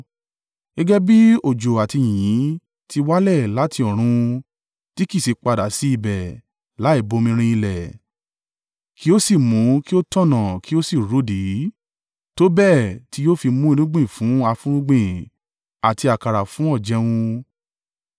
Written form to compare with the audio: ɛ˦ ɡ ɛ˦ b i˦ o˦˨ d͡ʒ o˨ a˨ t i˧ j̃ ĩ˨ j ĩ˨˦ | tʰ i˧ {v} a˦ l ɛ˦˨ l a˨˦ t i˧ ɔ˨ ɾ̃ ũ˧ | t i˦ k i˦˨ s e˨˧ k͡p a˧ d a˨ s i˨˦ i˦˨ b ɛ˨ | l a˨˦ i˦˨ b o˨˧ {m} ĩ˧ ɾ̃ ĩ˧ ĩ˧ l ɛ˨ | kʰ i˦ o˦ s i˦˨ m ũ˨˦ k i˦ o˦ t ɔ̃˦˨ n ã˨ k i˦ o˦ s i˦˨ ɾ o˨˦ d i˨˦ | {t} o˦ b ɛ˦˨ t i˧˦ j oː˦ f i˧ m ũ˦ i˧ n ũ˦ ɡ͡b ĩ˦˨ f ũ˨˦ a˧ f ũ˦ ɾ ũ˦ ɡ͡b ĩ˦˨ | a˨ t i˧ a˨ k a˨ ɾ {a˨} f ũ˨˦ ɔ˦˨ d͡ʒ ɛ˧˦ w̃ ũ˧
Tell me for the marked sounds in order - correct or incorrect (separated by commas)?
incorrect, correct, correct, correct